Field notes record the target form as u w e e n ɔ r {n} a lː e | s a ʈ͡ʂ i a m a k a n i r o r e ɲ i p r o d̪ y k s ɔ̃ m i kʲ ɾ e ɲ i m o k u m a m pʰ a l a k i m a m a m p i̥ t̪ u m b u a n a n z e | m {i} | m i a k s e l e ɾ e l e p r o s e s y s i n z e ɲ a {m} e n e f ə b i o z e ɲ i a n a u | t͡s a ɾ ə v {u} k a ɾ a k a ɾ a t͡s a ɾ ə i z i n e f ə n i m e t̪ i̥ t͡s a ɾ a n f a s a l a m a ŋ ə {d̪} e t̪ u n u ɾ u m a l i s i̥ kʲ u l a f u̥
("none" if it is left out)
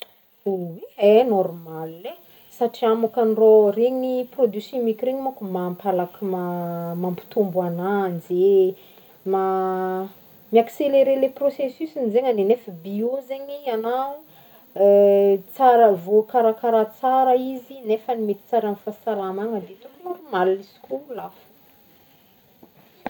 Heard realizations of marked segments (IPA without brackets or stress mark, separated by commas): m, a, n, o, d̪